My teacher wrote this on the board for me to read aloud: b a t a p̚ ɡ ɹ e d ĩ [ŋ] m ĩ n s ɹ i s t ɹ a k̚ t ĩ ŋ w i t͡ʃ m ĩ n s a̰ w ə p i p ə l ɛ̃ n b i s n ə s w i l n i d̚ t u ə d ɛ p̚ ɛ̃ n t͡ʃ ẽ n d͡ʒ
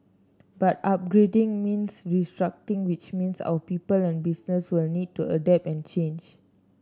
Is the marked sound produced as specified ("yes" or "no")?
yes